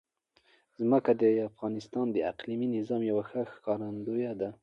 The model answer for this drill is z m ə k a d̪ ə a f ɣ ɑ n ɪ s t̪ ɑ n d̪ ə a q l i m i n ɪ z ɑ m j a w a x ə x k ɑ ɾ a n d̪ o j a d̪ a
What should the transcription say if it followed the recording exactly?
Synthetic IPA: z m ə k a d̪ ə a f ɣ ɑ n ɪ s t̪ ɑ n d̪ ə a q l i m i n ɪ z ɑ m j a w a x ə x k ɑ ɾ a n d̪ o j a d̪ a